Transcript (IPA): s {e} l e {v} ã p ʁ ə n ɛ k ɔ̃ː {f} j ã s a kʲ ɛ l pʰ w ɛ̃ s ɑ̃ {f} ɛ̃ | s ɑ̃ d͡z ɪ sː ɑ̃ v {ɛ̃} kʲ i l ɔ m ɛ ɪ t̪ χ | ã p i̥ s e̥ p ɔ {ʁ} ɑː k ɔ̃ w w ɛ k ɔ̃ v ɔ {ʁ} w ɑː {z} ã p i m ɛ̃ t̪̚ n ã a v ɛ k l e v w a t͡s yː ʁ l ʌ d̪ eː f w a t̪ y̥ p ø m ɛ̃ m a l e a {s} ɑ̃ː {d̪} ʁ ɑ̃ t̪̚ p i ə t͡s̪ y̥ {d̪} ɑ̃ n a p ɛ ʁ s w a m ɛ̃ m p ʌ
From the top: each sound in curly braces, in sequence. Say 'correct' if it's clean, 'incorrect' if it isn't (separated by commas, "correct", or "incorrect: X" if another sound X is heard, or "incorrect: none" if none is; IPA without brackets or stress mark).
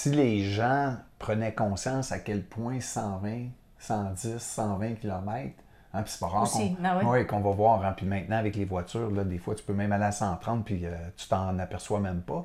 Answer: incorrect: i, incorrect: ʒ, incorrect: s, incorrect: v, correct, correct, incorrect: v, incorrect: ʁ, correct, incorrect: t̪, incorrect: t̪